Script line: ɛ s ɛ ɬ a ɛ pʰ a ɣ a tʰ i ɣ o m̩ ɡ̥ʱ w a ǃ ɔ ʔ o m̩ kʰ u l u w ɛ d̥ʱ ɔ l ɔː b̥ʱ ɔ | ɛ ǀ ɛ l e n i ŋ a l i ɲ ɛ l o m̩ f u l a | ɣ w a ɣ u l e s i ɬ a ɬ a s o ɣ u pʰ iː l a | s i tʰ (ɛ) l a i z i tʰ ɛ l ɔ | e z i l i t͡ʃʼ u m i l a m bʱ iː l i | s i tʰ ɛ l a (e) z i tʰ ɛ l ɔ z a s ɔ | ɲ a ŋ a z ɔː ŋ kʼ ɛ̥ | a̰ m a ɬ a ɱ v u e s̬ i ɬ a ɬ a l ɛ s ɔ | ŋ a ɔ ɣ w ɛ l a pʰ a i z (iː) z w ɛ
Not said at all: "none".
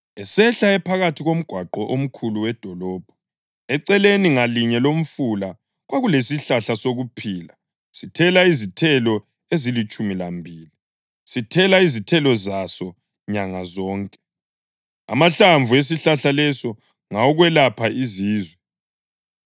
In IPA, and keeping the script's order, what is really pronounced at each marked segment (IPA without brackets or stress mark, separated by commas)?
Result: ɛ, i, iː